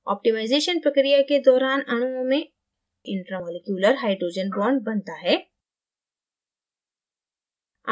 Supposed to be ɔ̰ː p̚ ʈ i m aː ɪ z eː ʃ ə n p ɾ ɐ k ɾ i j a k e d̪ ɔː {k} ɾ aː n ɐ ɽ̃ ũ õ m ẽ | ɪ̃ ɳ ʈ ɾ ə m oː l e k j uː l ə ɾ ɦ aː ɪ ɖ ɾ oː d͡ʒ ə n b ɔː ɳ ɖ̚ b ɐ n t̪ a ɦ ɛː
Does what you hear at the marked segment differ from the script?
yes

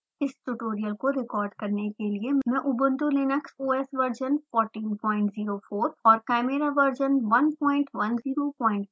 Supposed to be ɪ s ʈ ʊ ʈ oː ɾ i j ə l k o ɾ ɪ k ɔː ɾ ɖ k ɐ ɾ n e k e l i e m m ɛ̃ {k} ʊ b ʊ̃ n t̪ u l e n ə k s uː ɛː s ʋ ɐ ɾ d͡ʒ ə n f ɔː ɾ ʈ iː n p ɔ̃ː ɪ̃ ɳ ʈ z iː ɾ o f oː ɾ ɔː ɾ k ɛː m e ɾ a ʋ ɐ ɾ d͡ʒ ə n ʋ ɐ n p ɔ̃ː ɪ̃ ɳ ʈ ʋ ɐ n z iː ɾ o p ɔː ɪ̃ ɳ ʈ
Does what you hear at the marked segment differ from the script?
yes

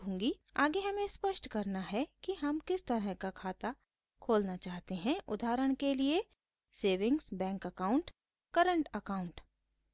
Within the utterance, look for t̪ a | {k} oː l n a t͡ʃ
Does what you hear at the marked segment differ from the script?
yes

